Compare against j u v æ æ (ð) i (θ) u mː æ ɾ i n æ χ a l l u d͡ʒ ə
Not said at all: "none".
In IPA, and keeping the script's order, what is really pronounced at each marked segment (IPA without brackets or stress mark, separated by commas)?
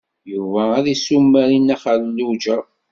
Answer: ð, s